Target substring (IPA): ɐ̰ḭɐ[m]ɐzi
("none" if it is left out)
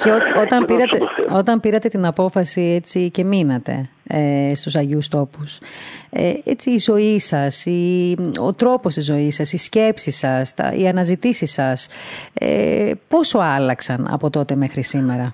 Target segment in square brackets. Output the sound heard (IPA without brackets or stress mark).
n